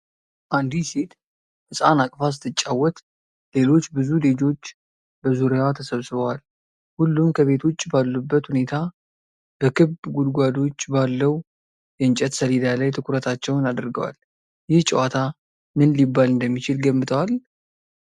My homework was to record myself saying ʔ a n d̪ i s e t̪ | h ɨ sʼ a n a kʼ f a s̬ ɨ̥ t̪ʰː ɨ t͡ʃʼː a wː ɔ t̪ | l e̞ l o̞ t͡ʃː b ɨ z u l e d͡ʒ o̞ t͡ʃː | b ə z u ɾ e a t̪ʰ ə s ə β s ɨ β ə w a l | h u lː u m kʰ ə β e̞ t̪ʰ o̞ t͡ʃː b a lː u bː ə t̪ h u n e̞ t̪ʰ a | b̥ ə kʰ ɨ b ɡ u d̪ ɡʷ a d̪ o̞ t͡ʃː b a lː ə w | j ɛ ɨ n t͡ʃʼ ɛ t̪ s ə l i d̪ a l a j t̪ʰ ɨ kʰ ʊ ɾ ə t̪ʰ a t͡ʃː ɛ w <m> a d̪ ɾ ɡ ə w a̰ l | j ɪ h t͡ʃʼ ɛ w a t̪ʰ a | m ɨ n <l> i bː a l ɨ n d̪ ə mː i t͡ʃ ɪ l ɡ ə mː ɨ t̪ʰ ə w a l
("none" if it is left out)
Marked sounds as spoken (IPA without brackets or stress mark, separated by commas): n, l